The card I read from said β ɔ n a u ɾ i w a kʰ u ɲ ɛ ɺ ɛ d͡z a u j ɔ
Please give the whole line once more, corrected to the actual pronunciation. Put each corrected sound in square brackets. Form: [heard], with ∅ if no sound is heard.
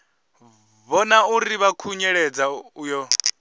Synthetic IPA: β ɔ n a u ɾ i [β] a kʰ u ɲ ɛ ɺ ɛ d͡z a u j ɔ